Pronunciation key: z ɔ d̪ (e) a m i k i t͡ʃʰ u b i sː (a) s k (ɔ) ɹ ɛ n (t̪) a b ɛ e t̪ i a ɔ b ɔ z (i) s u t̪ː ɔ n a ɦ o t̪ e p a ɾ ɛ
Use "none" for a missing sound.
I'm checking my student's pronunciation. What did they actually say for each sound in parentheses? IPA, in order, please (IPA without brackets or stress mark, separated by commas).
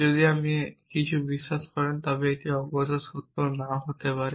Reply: i, a, ɔ, t̪, a